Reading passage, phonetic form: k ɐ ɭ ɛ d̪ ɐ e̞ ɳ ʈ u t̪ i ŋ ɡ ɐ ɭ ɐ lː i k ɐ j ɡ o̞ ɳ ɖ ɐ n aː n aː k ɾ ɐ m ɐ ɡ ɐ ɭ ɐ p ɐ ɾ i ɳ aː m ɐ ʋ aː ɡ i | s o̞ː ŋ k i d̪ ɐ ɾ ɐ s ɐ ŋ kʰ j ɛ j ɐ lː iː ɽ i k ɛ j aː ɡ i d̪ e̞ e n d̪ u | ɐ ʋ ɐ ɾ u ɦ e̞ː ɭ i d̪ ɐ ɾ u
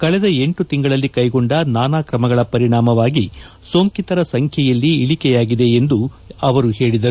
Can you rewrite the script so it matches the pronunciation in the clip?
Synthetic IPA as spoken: k ɐ ɭ ɛ d̪ ɐ e̞ ɳ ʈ u t̪ i ŋ ɡ ɐ ɭ ɐ lː i k ɐ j ɡ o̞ ɳ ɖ ɐ n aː n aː k ɾ ɐ m ɐ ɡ ɐ ɭ ɐ p ɐ ɾ i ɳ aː m ɐ ʋ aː ɡ i | s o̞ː ŋ k i t̪ ɐ ɾ ɐ s ɐ ŋ kʰ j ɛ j ɐ lː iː ɭ i k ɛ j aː ɡ i d̪ e̞ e n d̪ u | ɐ ʋ ɐ ɾ u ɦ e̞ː ɭ i d̪ ɐ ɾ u